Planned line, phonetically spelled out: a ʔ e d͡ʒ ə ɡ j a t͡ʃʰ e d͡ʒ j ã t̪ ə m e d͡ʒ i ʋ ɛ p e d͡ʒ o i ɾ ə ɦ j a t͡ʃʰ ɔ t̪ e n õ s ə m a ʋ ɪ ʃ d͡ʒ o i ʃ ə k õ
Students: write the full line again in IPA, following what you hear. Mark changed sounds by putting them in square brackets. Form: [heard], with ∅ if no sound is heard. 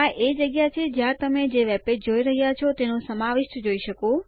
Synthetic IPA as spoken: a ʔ e d͡ʒ ə ɡ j a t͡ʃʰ e d͡ʒ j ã t̪ ə m e d͡ʒ [e] ʋ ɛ p e d͡ʒ o i ɾ ə ɦ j a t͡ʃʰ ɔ t̪ e n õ s ə m a ʋ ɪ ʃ d͡ʒ o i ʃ ə k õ